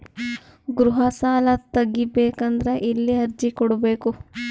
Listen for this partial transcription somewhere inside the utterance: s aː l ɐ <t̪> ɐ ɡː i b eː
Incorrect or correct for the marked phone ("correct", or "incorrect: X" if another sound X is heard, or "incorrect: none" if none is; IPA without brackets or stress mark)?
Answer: correct